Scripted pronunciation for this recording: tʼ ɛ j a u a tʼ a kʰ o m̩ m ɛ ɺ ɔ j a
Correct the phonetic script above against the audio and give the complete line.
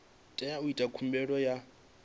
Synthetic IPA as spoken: tʼ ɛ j a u i tʼ a kʰ u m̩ b ɛ ɺ ɔ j a